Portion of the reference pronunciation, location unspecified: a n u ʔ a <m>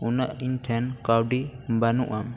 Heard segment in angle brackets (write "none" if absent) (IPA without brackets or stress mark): m